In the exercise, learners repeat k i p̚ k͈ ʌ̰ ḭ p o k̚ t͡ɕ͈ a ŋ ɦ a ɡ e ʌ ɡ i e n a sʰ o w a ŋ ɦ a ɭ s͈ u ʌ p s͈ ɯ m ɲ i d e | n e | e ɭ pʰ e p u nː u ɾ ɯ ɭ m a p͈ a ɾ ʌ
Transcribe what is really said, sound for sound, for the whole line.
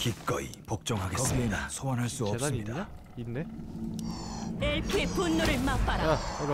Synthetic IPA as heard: k i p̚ k͈ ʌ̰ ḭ p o k̚ t͡ɕ͈ ʌ ŋ ɦ a ɡ e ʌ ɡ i e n a sʰ o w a n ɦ a ɭ s͈ u ʌ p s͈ ɯ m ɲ i d a | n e | e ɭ pʰ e p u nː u ɾ ɯ ɭ m a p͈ a ɾ a